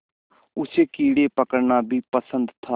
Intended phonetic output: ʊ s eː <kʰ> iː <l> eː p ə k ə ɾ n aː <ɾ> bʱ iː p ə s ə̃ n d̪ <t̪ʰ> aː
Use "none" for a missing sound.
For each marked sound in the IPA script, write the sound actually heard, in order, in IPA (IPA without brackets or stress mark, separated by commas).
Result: k, ɽ, none, t̪ʰ